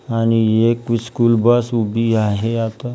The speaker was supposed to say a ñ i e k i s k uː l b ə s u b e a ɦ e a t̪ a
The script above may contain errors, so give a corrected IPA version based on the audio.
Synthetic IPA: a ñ i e k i s k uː l b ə s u b i a ɦ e a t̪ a